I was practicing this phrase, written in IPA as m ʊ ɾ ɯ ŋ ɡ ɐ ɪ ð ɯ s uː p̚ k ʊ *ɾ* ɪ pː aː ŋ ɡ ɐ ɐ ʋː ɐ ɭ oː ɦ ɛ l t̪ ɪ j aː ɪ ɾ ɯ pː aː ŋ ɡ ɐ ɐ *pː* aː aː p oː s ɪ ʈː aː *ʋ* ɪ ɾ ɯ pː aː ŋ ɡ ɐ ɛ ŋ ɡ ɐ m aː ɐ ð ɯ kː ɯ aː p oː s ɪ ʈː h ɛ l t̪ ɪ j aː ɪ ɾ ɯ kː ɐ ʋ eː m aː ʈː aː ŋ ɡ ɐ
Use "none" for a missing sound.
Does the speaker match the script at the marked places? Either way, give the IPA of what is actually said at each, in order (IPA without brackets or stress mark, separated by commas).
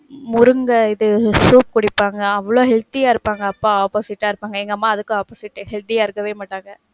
ɽ, pː, none